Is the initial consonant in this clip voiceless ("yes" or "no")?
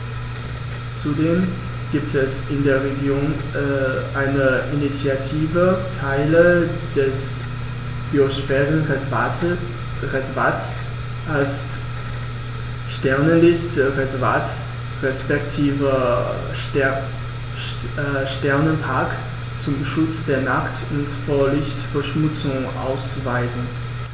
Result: yes